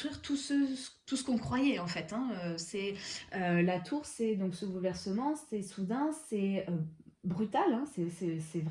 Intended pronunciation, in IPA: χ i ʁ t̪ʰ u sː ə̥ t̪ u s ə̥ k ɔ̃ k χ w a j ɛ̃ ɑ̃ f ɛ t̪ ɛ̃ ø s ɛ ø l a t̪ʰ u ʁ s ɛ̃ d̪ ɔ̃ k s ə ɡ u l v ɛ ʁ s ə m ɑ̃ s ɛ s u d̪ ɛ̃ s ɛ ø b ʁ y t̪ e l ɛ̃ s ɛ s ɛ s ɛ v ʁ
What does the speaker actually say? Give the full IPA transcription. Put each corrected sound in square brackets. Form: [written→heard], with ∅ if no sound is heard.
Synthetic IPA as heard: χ i ʁ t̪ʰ u [sː→s] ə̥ t̪ u s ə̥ k ɔ̃ k χ w a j [ɛ̃→ɛ] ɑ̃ f ɛ t̪ ɛ̃ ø s ɛ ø l a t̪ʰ u ʁ s [ɛ̃→ɛ] d̪ ɔ̃ k s ə ɡ u l v ɛ ʁ s ə m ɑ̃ s ɛ s u d̪ ɛ̃ s ɛ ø b ʁ y t̪ [e→a] l ɛ̃ s ɛ s ɛ s ɛ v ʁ